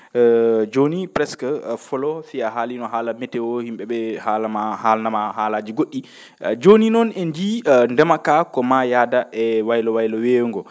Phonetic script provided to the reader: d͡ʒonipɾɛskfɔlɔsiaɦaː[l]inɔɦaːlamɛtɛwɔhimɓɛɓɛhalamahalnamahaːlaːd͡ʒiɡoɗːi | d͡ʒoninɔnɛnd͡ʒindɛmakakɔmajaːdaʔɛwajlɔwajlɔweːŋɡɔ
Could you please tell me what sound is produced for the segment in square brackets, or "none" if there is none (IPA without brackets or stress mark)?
l